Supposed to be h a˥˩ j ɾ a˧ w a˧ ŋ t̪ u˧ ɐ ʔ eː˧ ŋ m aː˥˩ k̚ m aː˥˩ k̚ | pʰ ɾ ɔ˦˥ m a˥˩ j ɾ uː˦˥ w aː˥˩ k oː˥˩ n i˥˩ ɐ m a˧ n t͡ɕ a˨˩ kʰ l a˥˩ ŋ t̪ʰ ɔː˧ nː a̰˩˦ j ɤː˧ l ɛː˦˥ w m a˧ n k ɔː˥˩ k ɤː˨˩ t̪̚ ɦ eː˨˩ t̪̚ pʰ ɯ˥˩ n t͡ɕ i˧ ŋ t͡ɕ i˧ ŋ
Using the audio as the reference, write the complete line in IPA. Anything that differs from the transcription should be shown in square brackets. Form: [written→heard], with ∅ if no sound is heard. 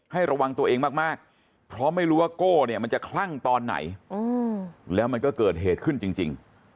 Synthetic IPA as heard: h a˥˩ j ɾ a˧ w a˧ ŋ t̪ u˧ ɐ ʔ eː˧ ŋ m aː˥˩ k̚ m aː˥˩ k̚ | pʰ ɾ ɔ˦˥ m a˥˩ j ɾ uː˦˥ w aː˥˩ k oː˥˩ n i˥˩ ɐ m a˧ n t͡ɕ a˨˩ kʰ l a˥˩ ŋ [t̪ʰ→t̪] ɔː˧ nː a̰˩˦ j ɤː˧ l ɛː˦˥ w m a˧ n k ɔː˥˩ k ɤː˨˩ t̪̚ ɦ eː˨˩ t̪̚ [pʰ→kʰ] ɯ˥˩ n t͡ɕ i˧ ŋ t͡ɕ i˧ ŋ